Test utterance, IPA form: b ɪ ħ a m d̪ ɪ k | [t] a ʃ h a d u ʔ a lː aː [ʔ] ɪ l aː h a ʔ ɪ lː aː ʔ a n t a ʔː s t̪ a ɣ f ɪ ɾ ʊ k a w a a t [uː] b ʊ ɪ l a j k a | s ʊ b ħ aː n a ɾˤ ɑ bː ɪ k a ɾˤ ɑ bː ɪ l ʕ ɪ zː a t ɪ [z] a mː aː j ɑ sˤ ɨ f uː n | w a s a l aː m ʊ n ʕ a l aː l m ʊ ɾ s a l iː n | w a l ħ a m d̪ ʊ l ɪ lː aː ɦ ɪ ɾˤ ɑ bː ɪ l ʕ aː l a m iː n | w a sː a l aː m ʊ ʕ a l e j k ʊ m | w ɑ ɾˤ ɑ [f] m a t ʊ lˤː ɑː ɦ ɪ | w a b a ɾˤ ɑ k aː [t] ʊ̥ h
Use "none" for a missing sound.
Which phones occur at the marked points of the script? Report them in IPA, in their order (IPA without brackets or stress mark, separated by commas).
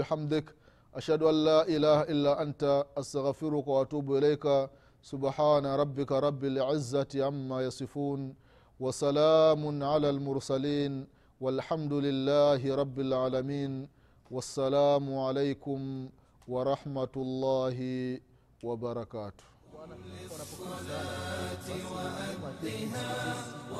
ʔ, ʔ, uː, ʕ, ħ, t